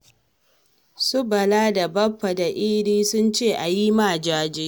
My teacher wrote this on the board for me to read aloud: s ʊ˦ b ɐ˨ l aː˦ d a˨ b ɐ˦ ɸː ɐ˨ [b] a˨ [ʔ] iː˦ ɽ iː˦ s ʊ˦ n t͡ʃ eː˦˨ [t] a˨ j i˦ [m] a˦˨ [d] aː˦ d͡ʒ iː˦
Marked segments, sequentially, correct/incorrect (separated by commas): incorrect, correct, incorrect, correct, incorrect